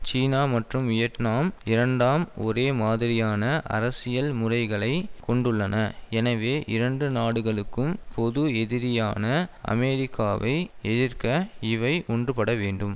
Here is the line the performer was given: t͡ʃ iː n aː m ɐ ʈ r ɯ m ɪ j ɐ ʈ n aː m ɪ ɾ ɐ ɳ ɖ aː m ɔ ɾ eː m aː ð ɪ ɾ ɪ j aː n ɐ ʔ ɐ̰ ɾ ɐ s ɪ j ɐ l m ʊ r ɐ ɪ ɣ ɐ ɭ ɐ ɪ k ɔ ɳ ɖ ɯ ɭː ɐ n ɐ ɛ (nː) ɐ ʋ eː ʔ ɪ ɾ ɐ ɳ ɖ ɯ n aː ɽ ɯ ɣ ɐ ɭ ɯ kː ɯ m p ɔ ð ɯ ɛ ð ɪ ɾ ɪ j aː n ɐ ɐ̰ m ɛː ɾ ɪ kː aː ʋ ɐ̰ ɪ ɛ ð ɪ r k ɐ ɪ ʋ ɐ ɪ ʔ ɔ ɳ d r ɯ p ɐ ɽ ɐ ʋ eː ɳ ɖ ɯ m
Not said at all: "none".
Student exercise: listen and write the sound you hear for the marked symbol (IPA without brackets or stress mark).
n